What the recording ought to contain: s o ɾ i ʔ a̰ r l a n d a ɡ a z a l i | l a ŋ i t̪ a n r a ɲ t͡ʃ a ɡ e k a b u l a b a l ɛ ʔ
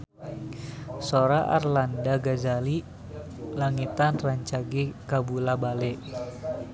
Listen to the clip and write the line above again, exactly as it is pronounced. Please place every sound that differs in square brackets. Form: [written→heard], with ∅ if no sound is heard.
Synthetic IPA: s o ɾ [i→a] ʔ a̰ r l a n d a ɡ a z a l i | l a ŋ i t̪ a n r a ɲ t͡ʃ a ɡ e k a b u l a b a l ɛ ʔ